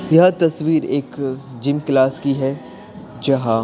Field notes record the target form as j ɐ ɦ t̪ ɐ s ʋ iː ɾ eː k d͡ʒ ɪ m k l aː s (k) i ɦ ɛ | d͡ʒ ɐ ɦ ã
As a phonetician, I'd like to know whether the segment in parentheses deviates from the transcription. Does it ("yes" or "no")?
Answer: no